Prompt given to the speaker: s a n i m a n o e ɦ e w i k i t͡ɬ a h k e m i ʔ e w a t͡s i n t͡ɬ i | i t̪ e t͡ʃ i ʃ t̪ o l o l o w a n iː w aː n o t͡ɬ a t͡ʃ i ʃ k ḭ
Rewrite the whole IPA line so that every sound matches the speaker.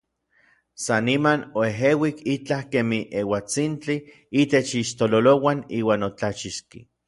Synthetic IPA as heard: s a n i m a n o e ɦ e w i k i t͡ɬ a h k e m i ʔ e w a t͡s i n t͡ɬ i | i t̪ e t͡ʃ i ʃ t̪ o l o l o w a n iː w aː n o t͡ɬ a t͡ʃ i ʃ k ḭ